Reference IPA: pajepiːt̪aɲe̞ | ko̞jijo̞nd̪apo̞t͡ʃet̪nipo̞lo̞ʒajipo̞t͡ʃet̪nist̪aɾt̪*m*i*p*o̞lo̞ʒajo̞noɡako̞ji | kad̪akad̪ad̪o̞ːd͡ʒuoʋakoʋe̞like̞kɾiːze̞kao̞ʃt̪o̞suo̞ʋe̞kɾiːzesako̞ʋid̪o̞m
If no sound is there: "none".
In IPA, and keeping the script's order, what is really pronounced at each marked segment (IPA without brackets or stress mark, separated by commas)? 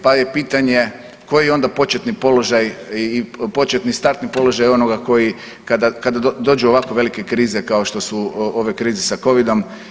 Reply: n, p